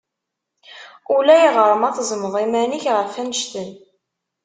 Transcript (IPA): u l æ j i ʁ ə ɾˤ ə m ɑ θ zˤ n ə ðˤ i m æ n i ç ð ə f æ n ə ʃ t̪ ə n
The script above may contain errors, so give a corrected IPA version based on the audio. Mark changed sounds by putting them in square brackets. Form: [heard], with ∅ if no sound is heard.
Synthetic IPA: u l æ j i ʁ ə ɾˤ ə m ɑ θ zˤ [m] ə ðˤ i m æ n i ç [ʁ] ə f æ n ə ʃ t̪ ə n